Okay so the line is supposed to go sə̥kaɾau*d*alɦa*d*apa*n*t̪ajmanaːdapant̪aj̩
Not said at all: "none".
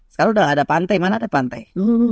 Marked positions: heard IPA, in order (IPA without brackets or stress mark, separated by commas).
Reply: d, d, n